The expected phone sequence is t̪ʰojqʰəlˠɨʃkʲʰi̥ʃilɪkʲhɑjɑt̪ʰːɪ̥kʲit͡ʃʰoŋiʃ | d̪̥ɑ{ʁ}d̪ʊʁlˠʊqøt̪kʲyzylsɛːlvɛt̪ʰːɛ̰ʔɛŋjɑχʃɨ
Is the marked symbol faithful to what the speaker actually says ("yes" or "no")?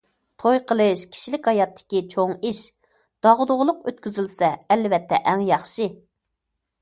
yes